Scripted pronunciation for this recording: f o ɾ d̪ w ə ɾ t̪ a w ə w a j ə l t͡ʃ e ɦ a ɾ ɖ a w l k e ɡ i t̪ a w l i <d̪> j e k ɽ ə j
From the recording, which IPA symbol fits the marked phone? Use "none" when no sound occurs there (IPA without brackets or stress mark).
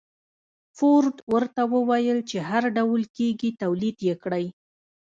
d̪